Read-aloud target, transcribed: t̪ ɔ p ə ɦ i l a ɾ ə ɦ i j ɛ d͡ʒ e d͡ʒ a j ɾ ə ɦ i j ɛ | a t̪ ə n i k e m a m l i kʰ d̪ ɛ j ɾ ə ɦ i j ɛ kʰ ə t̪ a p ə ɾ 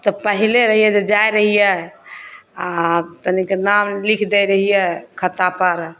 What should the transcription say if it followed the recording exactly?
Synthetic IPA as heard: t̪ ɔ p ə ɦ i l e ɾ ə ɦ i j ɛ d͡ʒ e d͡ʒ a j ɾ ə ɦ i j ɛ | a t̪ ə n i k e n a m l i kʰ d̪ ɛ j ɾ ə ɦ i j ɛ kʰ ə t̪ a p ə ɾ